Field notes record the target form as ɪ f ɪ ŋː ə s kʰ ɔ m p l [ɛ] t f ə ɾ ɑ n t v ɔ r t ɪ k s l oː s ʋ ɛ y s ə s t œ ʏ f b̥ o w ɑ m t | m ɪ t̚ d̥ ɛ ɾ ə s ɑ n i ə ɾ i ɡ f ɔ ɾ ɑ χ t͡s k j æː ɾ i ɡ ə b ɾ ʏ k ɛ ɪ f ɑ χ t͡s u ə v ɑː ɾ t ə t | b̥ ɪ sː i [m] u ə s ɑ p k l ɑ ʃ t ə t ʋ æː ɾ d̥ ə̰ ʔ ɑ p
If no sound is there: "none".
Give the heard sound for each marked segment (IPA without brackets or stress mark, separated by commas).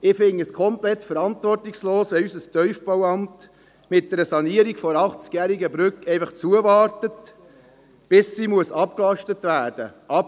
ɛ, m